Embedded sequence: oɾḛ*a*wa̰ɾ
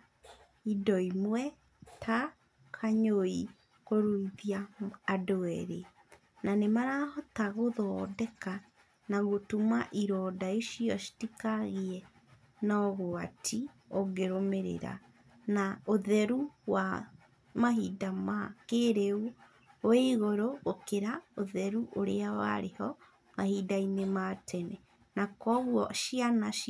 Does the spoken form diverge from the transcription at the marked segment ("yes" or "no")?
no